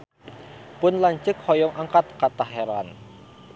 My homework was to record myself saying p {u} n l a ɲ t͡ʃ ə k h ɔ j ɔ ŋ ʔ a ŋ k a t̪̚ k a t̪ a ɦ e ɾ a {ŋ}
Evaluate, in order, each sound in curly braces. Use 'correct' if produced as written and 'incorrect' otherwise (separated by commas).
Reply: incorrect, incorrect